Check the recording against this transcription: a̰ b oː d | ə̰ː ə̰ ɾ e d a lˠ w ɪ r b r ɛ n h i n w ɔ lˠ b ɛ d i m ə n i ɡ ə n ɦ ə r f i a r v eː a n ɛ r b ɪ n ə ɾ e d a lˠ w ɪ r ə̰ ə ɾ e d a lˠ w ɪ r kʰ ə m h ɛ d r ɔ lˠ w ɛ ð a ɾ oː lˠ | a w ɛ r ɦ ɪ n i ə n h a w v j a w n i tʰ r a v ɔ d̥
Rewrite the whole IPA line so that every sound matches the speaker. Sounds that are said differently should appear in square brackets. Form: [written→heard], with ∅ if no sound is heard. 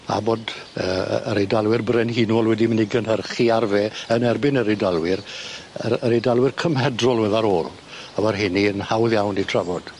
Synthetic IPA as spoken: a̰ b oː d | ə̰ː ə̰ ɾ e d a lˠ w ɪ r b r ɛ n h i n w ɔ lˠ [b→w] ɛ d i m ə n i ɡ ə n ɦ ə r [f→χ] i a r v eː [a→ə] n ɛ r b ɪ n ə ɾ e d a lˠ w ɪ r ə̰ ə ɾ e d a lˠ w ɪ r kʰ ə m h ɛ d r ɔ lˠ w ɛ ð a ɾ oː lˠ | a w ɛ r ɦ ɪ n i ə n h a w [v→ð] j a w n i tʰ r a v ɔ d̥